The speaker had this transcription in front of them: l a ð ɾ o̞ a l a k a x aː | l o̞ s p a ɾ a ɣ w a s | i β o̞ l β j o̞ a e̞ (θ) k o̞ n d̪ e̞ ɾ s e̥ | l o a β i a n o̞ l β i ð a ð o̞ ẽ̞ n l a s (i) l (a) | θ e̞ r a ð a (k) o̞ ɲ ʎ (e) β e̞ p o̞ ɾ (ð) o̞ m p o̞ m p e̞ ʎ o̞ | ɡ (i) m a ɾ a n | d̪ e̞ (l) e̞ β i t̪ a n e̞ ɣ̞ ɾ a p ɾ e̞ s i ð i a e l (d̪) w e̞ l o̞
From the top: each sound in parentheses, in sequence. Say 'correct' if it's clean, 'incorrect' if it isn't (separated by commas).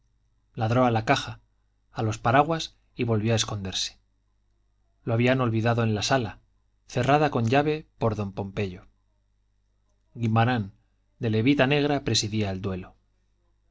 incorrect, incorrect, correct, correct, incorrect, correct, correct, correct, correct